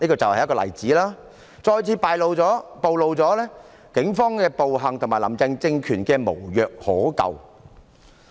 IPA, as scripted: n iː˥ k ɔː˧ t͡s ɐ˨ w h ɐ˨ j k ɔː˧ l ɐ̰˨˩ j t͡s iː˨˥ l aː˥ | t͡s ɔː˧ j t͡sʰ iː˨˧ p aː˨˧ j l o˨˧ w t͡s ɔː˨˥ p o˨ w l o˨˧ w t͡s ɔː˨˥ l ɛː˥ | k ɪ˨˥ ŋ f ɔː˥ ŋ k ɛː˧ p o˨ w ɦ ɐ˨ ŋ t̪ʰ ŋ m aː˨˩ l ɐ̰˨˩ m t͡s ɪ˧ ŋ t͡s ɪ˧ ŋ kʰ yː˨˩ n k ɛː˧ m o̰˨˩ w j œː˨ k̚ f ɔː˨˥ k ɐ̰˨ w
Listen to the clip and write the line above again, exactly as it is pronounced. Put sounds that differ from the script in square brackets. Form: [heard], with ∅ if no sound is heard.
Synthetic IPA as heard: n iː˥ k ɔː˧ t͡s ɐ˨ w h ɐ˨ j k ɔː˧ l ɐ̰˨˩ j t͡s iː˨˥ l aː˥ | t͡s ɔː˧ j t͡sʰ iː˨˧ p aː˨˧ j l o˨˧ w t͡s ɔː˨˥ p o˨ w l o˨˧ w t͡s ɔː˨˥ l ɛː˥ | k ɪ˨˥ ŋ f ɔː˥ ŋ k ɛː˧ p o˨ w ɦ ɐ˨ ŋ t̪ʰ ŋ m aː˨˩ l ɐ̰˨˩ m t͡s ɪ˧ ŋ t͡s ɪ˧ ŋ kʰ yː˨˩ n k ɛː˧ m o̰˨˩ w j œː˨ k̚ [h] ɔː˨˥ k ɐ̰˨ w

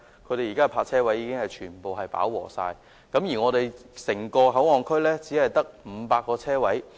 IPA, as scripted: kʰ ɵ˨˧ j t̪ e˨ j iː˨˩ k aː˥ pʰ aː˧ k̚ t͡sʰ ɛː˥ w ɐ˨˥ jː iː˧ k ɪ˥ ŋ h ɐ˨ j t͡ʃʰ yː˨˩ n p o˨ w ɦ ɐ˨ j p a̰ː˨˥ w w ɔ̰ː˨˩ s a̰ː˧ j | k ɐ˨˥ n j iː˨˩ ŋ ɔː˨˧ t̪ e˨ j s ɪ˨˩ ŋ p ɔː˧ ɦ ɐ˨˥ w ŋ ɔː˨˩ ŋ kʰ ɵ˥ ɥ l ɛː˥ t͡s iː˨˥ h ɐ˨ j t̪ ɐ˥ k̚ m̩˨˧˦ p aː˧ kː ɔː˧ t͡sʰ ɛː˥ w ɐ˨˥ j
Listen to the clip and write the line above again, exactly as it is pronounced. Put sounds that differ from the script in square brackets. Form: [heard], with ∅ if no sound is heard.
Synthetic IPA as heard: kʰ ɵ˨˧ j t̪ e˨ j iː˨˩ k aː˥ pʰ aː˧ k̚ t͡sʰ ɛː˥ w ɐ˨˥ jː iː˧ k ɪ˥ ŋ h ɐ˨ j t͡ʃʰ yː˨˩ n p o˨ w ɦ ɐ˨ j p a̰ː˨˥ w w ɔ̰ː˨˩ s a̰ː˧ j | k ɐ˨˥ [m] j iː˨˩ ŋ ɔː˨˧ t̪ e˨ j s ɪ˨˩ ŋ [k] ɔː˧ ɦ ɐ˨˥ w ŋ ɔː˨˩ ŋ kʰ ɵ˥ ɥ l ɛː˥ t͡s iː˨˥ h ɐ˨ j t̪ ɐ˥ k̚ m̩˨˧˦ p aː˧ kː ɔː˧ t͡sʰ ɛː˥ w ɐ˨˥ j

